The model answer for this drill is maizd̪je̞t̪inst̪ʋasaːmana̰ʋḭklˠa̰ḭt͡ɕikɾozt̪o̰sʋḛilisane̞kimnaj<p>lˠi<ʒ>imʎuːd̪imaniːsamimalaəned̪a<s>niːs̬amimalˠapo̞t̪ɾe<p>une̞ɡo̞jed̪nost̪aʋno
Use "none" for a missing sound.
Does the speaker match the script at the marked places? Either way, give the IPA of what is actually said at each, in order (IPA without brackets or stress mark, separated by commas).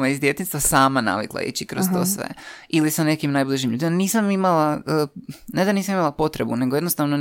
b, ʒ, none, b